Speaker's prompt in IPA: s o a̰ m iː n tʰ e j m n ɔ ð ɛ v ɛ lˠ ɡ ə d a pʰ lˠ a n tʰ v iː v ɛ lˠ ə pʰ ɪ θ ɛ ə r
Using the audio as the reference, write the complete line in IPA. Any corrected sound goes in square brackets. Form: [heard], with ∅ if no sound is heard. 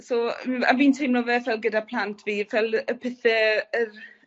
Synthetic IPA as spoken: s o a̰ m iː n tʰ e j m n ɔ [v] ɛ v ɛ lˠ ɡ ə d a pʰ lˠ a n tʰ v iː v ɛ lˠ ə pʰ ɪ θ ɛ ə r